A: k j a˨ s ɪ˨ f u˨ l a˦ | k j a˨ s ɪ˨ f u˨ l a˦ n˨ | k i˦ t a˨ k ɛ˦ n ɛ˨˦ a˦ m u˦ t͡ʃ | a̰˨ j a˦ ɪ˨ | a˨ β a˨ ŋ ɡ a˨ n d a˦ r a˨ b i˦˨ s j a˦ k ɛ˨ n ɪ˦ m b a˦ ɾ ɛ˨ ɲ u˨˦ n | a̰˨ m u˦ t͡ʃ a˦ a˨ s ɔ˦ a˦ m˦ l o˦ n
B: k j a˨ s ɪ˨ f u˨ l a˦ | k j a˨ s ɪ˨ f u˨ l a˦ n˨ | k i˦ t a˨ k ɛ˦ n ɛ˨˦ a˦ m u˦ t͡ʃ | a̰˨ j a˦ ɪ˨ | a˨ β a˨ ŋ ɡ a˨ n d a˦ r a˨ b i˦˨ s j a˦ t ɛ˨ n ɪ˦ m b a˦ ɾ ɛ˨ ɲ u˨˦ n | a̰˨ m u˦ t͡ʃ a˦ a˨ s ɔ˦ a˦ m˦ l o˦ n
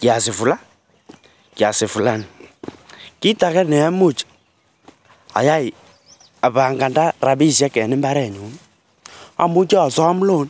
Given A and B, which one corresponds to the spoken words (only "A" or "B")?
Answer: A